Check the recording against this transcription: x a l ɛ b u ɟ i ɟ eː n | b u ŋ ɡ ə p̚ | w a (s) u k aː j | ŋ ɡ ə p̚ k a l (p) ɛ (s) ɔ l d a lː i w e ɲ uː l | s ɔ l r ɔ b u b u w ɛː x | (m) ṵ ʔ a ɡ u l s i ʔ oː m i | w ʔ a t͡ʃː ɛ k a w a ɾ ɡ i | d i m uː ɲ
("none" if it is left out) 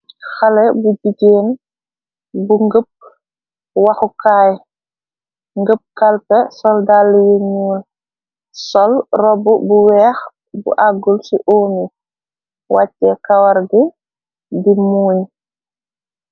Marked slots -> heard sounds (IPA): x, p, s, b

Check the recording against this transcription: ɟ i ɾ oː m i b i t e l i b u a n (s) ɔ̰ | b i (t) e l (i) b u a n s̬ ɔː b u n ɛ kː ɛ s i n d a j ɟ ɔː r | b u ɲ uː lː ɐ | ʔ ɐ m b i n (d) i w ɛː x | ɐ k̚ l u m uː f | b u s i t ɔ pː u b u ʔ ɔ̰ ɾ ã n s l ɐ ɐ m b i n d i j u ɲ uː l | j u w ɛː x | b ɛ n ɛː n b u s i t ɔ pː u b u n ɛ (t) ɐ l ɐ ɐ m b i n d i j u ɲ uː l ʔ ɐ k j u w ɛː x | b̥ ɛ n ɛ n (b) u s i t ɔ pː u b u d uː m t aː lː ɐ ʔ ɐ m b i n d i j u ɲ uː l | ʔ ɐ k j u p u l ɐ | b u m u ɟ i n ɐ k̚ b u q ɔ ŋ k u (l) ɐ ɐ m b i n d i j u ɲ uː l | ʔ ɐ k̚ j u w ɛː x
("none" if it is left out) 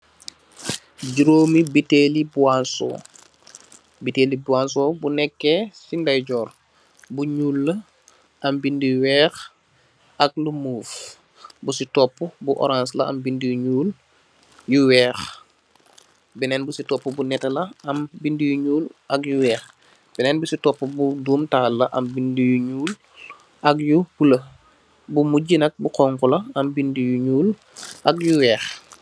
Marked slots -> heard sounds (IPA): s, t, i, d, t, b, l

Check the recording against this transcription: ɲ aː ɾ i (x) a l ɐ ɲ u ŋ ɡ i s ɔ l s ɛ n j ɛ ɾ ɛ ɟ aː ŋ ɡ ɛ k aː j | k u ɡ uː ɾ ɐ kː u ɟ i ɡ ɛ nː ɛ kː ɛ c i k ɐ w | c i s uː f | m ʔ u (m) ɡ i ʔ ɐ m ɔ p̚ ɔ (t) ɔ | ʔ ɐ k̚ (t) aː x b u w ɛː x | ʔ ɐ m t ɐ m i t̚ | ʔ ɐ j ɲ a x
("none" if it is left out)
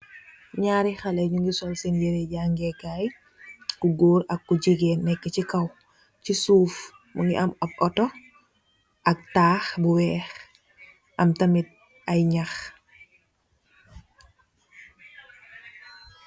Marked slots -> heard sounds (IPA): x, ŋ, t, t

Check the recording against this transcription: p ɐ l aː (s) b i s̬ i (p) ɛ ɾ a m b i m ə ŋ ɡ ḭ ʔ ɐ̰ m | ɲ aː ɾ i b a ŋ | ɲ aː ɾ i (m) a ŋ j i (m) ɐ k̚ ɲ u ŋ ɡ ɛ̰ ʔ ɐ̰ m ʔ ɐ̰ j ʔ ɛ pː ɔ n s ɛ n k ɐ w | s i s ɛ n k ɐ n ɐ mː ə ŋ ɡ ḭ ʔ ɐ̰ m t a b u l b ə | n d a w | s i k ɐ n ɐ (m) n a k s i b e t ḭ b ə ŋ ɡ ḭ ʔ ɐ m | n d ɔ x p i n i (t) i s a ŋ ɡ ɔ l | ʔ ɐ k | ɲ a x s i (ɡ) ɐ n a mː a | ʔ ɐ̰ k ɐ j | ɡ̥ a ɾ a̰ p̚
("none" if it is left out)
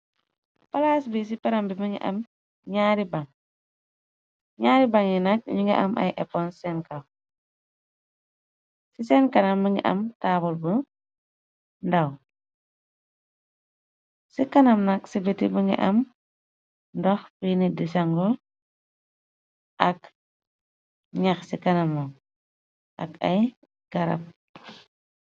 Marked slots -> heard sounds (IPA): s, p, b, n, m, d, k

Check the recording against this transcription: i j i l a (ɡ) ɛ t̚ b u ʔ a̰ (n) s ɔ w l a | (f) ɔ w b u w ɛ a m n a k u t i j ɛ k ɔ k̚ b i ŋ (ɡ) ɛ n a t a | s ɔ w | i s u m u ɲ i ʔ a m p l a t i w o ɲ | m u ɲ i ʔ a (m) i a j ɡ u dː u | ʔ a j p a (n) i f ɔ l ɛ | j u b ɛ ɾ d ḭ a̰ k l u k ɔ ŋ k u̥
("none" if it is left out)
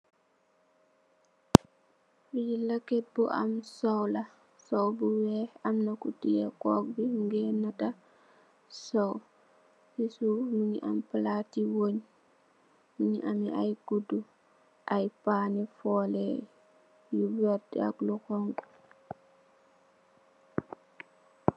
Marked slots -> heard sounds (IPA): k, m, s, ɡ, m, n

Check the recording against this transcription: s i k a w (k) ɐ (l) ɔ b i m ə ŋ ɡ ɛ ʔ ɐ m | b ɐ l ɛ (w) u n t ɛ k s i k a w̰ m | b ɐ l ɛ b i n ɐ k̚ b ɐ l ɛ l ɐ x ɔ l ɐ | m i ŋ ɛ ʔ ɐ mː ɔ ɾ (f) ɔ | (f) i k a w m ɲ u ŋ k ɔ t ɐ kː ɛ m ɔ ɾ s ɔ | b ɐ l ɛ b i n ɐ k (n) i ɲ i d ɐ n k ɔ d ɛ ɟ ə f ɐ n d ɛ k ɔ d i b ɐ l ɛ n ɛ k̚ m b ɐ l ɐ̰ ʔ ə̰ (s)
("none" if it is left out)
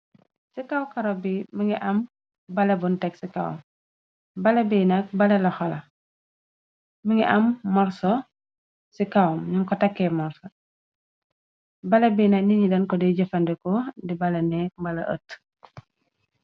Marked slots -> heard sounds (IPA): k, ɾ, b, s, s, n, t

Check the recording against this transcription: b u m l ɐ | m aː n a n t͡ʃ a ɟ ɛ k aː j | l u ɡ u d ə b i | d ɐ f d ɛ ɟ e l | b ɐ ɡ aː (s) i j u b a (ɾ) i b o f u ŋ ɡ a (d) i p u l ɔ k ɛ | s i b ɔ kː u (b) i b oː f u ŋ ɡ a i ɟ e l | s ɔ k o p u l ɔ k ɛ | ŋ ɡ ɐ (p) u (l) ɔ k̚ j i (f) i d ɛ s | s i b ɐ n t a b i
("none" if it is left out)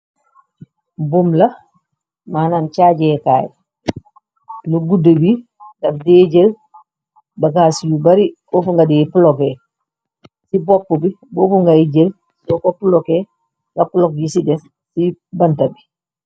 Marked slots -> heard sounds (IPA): s, ɾ, d, b, p, l, s

